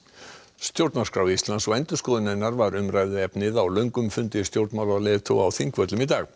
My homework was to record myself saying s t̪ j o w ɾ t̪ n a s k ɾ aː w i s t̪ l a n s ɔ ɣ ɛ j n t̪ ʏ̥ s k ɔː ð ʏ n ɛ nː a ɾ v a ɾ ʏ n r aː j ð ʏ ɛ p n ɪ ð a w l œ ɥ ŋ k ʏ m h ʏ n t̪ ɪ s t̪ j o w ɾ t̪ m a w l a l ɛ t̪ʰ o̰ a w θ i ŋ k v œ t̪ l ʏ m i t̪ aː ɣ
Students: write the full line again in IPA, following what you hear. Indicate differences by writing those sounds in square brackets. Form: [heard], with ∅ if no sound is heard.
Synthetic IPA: s t̪ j o w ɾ t̪ n a s k ɾ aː w i s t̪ l a n s ɔ ɣ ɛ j n t̪ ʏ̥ s k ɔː ð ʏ n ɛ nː a ɾ v a ɾ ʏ [m] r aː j ð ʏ ɛ p n ɪ ð a w l œ ɥ ŋ k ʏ m [f] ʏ n t̪ ɪ s t̪ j o w ɾ t̪ m a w l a l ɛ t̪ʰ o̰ a w θ i ŋ k v œ t̪ l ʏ m i t̪ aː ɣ